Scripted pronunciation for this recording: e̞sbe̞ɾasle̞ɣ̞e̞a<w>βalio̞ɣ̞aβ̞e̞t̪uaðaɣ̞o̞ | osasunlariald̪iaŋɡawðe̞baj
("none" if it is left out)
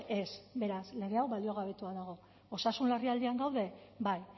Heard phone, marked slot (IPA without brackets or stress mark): w